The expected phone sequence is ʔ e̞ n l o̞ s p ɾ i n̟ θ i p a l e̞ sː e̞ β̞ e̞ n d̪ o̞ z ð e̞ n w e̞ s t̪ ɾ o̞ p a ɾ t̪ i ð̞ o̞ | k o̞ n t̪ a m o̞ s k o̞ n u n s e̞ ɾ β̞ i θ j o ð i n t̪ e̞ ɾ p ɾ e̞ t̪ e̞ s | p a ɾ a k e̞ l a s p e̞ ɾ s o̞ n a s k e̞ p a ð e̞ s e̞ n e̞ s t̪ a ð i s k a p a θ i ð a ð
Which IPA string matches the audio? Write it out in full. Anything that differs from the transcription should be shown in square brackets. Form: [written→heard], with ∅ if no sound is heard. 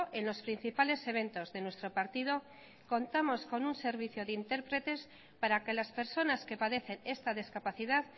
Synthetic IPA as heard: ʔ e̞ n l o̞ s p ɾ i n̟ θ i p a l e̞ [sː→s] e̞ β̞ e̞ n [d̪→t̪] o̞ z ð e̞ n w e̞ s t̪ ɾ o̞ p a ɾ t̪ i ð̞ o̞ | k o̞ n t̪ a m o̞ s k o̞ n u n s e̞ ɾ β̞ i θ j o ð i n t̪ e̞ ɾ p ɾ e̞ t̪ e̞ s | p a ɾ a k e̞ l a s p e̞ ɾ s o̞ n a s k e̞ p a ð e̞ [s→θ] e̞ n e̞ s t̪ a ð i s k a p a θ i ð a ð